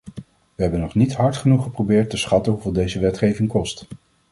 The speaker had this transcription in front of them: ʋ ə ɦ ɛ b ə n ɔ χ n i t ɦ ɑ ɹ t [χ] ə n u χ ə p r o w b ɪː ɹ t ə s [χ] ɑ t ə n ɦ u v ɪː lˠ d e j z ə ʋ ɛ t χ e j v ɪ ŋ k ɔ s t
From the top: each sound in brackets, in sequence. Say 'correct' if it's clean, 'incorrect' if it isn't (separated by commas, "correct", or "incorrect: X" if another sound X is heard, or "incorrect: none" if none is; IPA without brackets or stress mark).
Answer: correct, correct